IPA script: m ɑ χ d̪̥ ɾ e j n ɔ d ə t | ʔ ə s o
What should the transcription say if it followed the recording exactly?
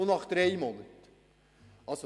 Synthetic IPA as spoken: n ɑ χ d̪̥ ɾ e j m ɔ n ə t | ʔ ɑ s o